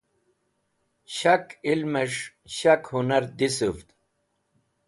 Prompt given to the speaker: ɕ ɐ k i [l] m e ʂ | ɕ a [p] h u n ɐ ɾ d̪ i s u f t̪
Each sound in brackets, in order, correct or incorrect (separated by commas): correct, incorrect